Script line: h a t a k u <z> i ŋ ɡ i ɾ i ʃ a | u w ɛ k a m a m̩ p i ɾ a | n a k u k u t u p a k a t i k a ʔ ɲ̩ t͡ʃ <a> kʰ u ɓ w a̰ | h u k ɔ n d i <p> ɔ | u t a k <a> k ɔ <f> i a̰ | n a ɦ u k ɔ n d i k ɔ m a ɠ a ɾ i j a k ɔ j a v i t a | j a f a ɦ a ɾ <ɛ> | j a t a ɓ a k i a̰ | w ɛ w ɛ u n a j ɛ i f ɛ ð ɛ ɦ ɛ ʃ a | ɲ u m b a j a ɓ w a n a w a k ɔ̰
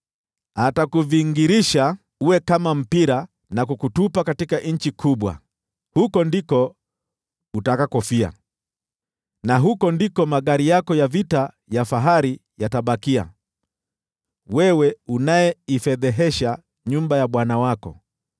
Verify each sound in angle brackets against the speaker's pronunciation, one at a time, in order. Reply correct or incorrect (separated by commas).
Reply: incorrect, incorrect, incorrect, correct, correct, incorrect